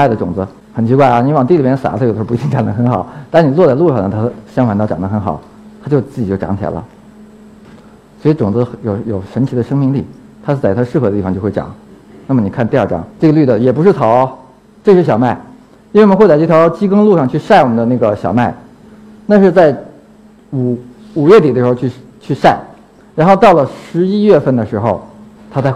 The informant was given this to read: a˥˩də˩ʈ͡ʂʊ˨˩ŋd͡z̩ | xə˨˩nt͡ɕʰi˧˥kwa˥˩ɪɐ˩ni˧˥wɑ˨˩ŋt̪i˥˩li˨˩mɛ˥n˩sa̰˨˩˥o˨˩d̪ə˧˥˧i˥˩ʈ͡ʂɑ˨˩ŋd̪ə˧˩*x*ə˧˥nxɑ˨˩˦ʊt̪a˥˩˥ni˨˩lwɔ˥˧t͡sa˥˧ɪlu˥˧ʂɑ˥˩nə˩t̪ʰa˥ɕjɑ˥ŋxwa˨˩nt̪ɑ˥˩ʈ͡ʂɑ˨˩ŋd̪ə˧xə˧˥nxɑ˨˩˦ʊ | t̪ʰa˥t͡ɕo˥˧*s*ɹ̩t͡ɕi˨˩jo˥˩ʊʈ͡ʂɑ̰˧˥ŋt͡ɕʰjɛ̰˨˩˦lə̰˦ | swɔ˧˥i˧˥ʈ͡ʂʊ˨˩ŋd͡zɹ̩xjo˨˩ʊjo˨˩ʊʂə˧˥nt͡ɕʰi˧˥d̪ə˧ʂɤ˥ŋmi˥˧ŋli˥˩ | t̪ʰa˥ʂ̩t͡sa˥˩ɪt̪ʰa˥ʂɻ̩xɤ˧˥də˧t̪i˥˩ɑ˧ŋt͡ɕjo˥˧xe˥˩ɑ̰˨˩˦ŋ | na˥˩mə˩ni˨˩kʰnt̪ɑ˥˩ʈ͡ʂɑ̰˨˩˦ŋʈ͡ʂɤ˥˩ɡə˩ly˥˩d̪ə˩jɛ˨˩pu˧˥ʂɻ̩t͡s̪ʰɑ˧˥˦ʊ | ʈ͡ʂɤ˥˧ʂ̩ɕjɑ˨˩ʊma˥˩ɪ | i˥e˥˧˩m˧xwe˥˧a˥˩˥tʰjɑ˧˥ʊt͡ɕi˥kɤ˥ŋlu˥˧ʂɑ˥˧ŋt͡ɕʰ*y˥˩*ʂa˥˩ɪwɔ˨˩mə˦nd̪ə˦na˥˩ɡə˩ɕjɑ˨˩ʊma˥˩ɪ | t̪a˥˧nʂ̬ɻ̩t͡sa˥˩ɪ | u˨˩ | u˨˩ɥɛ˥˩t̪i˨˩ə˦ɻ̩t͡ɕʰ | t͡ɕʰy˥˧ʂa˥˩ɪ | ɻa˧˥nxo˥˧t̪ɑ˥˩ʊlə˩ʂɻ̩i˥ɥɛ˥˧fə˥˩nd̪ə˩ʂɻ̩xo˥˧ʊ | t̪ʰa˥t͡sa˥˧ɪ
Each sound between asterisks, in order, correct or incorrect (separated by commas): correct, incorrect, incorrect